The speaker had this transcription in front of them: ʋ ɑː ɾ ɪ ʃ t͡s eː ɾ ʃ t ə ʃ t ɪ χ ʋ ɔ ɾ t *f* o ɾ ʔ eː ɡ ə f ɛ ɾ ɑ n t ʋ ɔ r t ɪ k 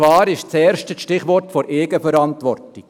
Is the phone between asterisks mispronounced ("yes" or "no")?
no